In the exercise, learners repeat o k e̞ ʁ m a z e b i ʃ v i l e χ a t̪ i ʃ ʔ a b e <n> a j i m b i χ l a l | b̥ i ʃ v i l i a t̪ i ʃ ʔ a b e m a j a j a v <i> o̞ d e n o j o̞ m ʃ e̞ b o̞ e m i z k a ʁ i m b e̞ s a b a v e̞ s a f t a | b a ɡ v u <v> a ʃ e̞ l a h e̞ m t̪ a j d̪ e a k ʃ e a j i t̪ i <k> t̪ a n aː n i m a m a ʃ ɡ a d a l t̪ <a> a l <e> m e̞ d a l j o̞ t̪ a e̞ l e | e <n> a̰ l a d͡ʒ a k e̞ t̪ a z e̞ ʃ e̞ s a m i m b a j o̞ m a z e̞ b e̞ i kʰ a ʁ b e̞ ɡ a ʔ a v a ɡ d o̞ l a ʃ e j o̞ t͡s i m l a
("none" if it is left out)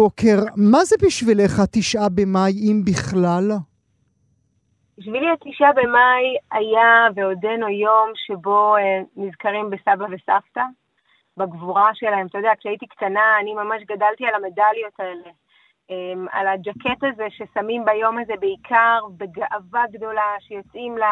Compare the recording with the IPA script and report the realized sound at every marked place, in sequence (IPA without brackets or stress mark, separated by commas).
m, e, ʁ, k, i, a, m